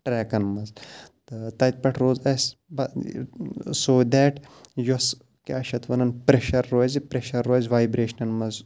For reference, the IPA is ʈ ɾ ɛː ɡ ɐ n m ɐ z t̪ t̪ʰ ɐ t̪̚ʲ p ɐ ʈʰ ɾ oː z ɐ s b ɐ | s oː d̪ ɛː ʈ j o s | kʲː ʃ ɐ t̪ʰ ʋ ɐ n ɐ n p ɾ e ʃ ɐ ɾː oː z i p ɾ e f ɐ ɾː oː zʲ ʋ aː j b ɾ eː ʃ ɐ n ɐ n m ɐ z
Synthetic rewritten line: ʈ ɾ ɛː k ɐ n m ɐ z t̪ t̪ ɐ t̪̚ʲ p ɐ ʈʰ ɾ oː z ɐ s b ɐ | s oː d̪ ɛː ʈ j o s | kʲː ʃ ɐ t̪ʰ ʋ ɐ n ɐ n p ɾ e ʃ ɐ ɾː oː z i p ɾ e ʃ ɐ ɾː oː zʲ ʋ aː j b ɾ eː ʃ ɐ n ɐ n m ɐ z